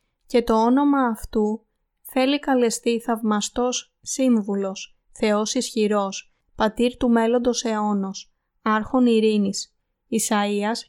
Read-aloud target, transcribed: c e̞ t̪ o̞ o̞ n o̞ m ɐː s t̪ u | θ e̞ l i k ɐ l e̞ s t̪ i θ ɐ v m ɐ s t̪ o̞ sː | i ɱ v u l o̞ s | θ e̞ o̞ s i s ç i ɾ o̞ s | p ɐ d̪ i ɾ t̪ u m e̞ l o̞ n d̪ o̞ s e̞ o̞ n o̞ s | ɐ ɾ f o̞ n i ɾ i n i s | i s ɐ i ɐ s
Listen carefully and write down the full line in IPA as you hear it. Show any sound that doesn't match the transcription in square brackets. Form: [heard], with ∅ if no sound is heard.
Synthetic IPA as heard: c e̞ t̪ o̞ o̞ n o̞ m ɐː [f] t̪ u | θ e̞ l i k ɐ l e̞ s t̪ i θ ɐ v m ɐ s t̪ o̞ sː | i ɱ v u l o̞ s | θ e̞ o̞ s i s ç i ɾ o̞ s | p ɐ [t̪] i ɾ t̪ u m e̞ l o̞ n d̪ o̞ s e̞ o̞ n o̞ s | ɐ ɾ [x] o̞ n i ɾ i n i s | i s ɐ i ɐ s